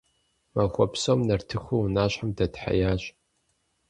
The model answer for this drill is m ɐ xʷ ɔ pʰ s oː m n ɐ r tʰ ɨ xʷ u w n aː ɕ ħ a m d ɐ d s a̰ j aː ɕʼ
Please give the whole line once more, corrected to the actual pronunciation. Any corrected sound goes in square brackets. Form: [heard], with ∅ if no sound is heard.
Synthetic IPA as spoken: m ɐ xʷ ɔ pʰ s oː m n ɐ r tʰ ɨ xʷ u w n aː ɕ ħ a m d ɐ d [ħ] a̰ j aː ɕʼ

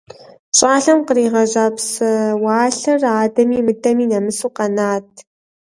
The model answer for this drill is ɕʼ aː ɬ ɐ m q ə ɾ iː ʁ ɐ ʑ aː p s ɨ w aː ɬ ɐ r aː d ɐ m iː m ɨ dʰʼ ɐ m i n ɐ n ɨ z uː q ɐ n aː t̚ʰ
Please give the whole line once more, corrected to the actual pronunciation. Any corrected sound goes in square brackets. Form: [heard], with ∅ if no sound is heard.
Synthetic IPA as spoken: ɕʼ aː ɬ ɐ m q ə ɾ iː ʁ ɐ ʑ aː p s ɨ w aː ɬ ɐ r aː d ɐ m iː m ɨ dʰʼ ɐ m [iː] n ɐ [m] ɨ [s] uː q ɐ n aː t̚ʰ

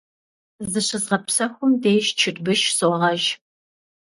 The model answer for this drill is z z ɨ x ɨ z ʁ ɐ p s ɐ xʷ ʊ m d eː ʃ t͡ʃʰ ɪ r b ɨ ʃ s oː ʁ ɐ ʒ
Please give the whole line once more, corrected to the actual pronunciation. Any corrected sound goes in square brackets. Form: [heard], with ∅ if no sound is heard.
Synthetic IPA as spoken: z z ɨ [ɕ] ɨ z ʁ ɐ p s ɐ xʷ ʊ m d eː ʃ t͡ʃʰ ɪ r b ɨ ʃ s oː ʁ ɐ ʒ

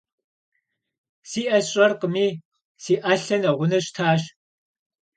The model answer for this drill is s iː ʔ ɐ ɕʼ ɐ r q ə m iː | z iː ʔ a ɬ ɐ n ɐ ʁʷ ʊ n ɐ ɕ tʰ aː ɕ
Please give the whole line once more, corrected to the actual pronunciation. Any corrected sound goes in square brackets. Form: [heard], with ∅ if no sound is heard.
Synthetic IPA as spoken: s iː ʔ ɐ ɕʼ ɐ r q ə m iː | [s] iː ʔ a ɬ ɐ n ɐ ʁʷ ʊ n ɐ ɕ tʰ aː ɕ

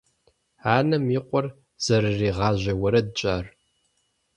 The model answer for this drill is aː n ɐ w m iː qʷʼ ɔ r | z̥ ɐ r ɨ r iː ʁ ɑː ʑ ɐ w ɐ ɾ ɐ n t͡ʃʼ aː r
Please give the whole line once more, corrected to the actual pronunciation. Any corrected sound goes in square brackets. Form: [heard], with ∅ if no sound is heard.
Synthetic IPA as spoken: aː n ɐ [∅] m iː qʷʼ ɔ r | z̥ ɐ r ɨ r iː ʁ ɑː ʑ ɐ w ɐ ɾ ɐ [d] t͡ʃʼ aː r

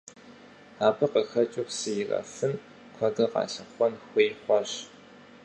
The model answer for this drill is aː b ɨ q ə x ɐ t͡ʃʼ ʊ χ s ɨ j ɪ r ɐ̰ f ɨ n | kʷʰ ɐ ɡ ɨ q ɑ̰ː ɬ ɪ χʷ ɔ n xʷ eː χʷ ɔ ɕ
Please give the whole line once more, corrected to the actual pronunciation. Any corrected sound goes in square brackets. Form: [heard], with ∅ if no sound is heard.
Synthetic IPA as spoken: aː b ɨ q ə x ɐ t͡ʃʼ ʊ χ s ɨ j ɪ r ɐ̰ f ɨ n | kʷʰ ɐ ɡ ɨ q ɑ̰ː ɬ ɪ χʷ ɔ n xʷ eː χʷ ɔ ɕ

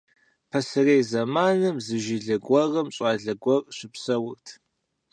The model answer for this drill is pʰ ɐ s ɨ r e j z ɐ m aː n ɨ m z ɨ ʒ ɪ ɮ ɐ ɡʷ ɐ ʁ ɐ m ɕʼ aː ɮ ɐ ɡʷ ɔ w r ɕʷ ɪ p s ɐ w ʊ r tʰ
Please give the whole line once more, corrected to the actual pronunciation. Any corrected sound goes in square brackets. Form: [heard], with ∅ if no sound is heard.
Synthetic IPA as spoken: pʰ ɐ s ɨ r e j z ɐ m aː n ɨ m z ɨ ʒ ɪ ɮ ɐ ɡʷ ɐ ʁ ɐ m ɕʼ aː ɮ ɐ ɡʷ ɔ [∅] r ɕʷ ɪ p s ɐ w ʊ r tʰ

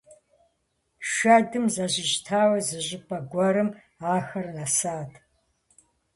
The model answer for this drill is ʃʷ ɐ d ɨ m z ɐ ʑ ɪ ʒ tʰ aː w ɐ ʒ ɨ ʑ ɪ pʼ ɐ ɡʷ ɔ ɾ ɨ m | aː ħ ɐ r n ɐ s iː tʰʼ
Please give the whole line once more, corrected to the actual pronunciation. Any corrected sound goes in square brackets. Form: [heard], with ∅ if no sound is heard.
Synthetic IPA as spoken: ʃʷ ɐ d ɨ m z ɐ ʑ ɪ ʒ tʰ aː w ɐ [z] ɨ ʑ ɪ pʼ ɐ ɡʷ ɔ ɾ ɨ m | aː [x] ɐ r n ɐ s [aː] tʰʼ

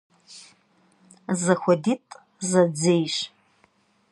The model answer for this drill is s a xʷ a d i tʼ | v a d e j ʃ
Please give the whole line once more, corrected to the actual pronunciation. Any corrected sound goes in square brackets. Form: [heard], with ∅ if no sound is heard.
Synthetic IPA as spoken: [z] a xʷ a d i tʼ | [z] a [d͡z] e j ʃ

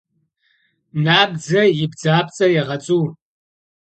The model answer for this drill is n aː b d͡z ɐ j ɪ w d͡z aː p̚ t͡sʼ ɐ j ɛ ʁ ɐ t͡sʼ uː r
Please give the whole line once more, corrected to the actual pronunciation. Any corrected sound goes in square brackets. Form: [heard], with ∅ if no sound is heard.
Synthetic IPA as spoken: n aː b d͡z ɐ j ɪ [b] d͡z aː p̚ t͡sʼ ɐ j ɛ ʁ ɐ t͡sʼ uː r

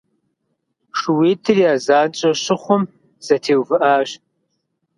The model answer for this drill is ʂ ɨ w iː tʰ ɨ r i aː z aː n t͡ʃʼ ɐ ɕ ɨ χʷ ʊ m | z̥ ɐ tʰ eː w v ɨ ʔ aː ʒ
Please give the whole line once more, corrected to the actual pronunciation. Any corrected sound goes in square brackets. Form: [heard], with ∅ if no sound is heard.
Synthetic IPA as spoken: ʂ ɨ w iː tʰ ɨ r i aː z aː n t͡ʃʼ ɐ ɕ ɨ χʷ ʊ m | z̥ ɐ tʰ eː w v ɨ ʔ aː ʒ

